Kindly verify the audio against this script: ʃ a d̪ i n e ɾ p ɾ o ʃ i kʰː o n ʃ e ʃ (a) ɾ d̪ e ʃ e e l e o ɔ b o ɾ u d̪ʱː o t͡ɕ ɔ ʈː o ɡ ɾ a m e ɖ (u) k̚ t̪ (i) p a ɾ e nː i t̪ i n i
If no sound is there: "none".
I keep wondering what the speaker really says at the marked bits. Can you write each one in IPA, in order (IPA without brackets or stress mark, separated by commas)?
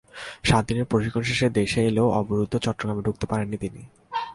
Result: e, u, e